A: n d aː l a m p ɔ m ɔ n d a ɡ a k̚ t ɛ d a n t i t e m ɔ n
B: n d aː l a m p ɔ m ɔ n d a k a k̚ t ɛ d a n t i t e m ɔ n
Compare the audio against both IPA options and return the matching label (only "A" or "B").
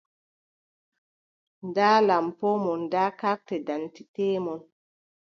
B